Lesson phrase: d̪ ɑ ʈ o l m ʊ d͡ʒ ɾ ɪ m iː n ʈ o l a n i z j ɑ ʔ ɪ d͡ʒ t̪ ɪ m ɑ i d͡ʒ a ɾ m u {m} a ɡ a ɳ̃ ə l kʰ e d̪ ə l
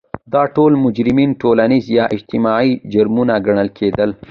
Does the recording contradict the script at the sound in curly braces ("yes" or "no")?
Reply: yes